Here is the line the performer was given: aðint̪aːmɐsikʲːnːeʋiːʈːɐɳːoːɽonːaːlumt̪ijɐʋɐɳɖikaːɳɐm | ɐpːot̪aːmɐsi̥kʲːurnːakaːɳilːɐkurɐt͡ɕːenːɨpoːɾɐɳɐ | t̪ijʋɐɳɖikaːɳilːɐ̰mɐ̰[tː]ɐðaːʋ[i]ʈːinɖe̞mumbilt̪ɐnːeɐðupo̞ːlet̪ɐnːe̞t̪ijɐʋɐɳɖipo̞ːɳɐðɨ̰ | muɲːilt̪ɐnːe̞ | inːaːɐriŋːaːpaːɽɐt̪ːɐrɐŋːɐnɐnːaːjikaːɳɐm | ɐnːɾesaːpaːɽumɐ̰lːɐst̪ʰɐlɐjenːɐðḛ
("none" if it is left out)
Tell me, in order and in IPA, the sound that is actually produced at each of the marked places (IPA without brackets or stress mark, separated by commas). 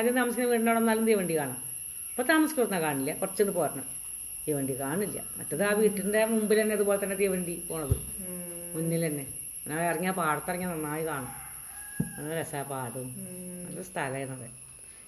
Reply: tː, iː